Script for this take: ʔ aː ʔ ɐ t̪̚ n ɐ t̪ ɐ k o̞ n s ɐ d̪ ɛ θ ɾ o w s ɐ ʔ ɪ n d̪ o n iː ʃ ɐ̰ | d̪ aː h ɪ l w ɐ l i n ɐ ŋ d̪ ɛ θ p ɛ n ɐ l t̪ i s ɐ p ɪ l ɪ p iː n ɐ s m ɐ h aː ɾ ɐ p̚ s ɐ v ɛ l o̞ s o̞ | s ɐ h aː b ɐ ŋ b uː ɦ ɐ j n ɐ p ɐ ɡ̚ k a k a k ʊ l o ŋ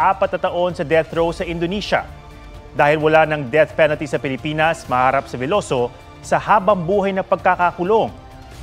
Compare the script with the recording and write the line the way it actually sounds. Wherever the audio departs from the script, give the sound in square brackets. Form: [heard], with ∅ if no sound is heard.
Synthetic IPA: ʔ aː [p] ɐ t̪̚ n ɐ t̪ ɐ [ʔ] o̞ n s ɐ d̪ ɛ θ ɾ o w s ɐ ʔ ɪ n d̪ o n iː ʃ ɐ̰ | d̪ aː h ɪ l w ɐ l [a] n ɐ ŋ d̪ ɛ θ p ɛ n ɐ l t̪ i s ɐ p ɪ l ɪ p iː n ɐ s m ɐ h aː ɾ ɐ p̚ s ɐ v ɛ l o̞ s o̞ | s ɐ h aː b ɐ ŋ b uː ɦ ɐ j n ɐ p ɐ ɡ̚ k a k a k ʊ l o ŋ